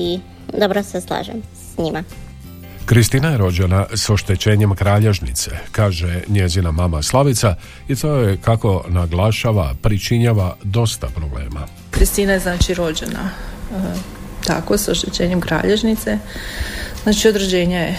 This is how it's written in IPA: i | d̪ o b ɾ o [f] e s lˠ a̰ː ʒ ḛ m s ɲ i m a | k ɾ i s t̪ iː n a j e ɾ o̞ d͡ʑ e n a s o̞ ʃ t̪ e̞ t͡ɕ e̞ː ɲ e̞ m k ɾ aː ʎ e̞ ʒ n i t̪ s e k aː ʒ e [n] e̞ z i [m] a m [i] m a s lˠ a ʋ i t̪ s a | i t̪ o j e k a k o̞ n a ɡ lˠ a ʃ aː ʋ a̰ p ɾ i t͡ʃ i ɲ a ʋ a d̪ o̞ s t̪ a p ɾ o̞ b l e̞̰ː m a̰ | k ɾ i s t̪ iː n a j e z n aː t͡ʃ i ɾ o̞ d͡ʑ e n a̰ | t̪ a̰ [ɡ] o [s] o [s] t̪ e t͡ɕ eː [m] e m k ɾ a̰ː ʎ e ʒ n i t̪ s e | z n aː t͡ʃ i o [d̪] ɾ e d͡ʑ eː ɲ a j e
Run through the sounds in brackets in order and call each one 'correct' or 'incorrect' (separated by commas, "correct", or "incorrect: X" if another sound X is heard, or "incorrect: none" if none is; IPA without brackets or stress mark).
incorrect: s, incorrect: ɲ, incorrect: n, incorrect: a, incorrect: k, correct, incorrect: ʃ, incorrect: ɲ, correct